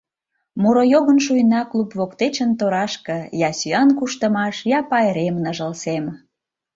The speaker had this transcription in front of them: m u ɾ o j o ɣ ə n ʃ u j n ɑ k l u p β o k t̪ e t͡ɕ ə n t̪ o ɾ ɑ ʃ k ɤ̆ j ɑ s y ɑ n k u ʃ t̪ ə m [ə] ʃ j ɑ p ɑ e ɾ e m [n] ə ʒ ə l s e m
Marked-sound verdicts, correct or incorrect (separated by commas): incorrect, correct